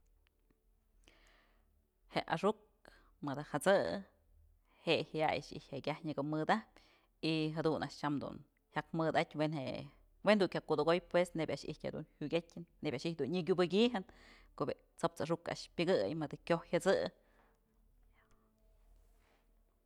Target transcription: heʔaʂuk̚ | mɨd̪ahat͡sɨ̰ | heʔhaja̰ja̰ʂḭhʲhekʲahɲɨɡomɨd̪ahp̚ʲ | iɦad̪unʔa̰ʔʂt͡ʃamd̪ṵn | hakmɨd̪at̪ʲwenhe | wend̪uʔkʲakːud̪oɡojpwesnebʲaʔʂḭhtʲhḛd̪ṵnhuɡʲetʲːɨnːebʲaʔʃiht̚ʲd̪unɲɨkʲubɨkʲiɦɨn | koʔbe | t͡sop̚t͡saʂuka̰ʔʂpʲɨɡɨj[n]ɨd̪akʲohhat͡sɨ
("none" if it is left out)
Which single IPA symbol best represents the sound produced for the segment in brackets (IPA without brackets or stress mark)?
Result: m